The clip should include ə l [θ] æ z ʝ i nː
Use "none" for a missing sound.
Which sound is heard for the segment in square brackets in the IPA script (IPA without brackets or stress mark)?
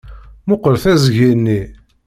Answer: θ